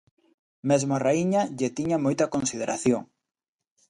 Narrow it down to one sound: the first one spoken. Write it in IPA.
m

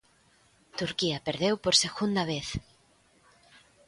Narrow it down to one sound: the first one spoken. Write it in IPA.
t̪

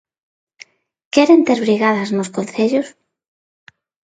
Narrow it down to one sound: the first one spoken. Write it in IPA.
k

